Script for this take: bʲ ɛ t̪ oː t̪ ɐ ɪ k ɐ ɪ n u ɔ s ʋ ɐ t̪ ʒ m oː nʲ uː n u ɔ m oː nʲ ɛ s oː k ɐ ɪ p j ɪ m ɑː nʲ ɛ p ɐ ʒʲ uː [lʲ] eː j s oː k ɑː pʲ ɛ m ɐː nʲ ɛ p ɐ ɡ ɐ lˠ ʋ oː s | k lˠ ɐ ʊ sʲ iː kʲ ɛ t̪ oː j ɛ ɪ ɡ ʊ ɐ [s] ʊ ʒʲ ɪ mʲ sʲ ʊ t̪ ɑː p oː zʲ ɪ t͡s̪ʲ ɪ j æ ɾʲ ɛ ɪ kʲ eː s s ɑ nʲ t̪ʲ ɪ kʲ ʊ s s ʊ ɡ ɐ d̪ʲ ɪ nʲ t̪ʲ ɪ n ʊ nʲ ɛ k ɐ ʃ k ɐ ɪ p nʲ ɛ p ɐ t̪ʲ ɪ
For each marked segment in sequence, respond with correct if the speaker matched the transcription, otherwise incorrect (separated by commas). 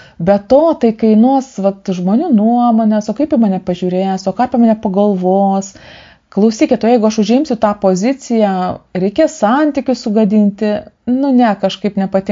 incorrect, incorrect